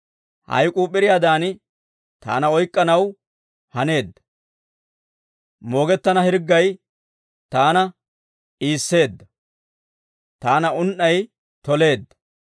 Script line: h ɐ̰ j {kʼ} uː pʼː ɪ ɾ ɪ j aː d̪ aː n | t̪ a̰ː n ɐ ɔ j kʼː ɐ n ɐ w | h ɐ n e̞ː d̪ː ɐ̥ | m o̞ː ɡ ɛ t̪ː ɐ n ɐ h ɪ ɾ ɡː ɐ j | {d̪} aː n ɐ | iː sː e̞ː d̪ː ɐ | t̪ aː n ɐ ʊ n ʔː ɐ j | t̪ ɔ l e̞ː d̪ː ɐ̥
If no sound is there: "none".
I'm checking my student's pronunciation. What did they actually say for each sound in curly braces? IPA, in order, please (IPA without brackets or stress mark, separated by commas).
kʼ, t̪